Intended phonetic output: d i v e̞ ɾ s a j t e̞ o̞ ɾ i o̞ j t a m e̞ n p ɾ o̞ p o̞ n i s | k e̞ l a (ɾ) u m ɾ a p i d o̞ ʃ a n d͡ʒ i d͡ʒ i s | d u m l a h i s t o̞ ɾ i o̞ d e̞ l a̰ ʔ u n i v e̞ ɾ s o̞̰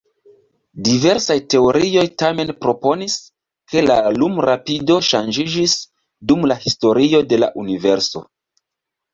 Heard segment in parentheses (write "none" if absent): l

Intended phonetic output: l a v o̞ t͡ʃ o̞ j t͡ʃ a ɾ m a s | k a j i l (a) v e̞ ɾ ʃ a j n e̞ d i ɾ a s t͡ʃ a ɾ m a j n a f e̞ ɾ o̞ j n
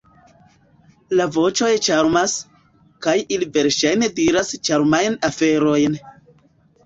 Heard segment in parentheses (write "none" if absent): i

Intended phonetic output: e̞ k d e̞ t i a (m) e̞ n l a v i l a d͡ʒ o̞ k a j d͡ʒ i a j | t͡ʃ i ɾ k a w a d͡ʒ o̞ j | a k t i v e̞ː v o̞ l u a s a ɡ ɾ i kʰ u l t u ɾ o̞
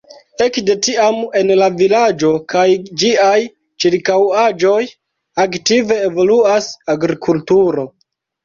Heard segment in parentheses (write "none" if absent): m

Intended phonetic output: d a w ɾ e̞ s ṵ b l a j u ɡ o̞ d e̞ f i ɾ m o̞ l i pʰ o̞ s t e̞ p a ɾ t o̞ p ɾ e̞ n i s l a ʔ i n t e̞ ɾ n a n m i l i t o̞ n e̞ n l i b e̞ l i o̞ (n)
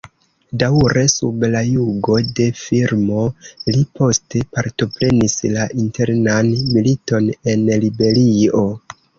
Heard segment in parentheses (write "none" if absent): none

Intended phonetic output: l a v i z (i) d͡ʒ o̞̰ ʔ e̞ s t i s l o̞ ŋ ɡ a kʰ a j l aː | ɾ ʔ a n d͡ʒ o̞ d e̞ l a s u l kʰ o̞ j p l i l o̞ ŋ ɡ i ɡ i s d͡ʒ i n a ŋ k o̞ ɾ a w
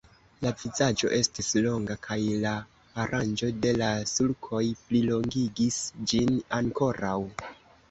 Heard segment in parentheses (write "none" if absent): a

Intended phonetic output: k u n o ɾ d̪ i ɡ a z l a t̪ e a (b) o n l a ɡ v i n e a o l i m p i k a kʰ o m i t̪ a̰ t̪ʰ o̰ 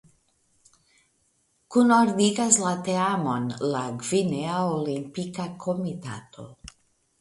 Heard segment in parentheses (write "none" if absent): m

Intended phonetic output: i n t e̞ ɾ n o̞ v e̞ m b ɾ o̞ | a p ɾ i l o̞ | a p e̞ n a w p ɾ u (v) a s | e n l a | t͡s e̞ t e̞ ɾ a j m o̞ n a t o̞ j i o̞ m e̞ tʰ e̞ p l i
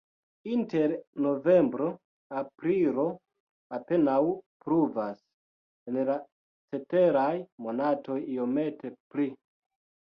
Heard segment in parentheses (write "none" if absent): v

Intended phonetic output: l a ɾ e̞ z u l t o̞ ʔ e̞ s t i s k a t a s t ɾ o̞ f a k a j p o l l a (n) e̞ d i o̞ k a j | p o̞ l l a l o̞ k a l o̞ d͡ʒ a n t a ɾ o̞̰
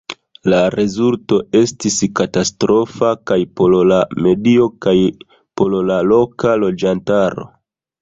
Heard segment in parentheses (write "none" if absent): m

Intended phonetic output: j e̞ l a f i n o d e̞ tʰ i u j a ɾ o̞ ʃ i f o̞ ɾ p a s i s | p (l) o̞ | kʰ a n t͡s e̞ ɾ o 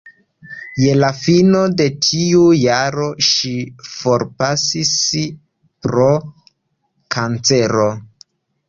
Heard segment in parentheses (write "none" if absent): ɾ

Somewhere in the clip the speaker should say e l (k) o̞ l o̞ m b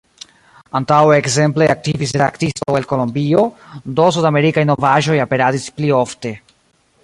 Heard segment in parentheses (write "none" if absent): k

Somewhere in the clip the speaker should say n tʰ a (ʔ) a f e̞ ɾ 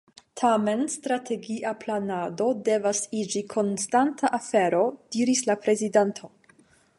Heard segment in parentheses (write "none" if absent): ʔ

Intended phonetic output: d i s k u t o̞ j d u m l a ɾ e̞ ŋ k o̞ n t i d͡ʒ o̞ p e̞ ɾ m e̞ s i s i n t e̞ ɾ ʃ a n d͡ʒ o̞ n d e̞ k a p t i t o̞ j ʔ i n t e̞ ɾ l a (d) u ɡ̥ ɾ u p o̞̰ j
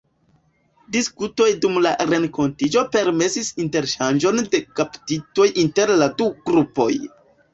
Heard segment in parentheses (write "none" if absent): d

